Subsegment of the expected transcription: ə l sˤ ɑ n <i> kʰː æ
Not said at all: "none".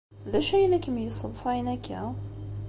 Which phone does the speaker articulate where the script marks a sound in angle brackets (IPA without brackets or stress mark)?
æ